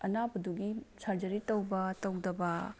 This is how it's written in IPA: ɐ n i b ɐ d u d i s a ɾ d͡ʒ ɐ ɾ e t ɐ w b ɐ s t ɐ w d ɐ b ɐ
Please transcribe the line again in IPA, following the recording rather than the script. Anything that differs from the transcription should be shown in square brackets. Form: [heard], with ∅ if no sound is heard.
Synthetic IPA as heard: ɐ n [a] b ɐ d u [ɡ] i s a ɾ d͡ʒ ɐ ɾ [i] t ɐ w b ɐ [∅] t ɐ w d ɐ b ɐ